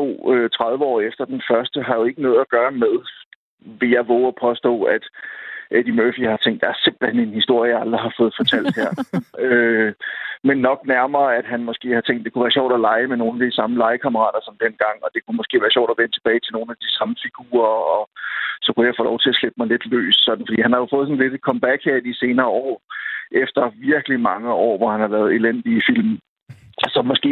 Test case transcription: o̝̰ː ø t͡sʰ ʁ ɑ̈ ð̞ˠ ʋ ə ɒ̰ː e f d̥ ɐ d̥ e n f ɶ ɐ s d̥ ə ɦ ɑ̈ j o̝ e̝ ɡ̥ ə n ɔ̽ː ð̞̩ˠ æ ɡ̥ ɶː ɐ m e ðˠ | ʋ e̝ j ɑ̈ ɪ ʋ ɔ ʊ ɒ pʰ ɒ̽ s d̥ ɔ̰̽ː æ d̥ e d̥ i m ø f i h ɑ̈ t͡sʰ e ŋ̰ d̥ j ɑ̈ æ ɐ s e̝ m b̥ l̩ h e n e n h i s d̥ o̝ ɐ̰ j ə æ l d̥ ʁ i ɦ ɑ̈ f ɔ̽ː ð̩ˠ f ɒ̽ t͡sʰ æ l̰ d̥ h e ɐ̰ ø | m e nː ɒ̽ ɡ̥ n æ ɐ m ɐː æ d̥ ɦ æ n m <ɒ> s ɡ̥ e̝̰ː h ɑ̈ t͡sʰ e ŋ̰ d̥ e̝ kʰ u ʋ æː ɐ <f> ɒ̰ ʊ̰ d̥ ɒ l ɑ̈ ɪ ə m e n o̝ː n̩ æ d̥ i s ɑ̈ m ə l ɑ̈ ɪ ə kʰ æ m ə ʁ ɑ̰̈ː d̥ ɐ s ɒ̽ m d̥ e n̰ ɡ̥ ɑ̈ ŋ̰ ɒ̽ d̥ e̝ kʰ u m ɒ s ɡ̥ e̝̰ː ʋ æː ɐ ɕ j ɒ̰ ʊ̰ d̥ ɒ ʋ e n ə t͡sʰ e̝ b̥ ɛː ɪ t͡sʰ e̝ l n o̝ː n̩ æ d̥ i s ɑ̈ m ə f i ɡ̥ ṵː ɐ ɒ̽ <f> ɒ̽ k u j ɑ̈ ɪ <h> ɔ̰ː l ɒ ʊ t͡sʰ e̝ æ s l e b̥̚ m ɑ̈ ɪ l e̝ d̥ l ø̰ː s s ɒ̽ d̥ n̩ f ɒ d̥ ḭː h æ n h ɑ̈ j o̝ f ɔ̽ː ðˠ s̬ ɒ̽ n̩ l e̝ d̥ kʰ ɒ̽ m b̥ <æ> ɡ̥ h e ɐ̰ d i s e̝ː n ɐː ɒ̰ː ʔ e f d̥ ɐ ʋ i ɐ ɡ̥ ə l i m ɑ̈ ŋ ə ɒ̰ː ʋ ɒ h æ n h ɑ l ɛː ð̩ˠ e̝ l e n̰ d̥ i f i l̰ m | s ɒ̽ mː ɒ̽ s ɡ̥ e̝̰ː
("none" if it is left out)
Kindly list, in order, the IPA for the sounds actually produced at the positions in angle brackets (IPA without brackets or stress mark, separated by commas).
ɒ, ɕ, s, f, æ